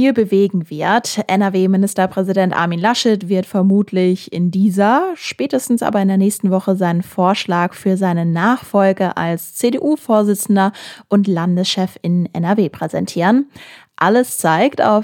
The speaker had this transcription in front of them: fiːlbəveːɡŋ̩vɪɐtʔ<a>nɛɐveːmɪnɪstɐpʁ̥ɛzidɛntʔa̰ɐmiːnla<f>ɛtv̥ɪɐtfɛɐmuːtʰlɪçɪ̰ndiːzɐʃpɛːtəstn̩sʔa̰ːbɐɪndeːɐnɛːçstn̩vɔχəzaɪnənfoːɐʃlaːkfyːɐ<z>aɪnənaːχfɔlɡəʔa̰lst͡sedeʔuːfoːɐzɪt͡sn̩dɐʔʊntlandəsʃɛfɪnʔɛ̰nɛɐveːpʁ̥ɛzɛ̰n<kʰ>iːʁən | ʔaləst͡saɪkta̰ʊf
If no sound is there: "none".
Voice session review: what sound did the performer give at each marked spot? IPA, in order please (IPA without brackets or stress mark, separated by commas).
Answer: ɛ, ʃ, z, tʰ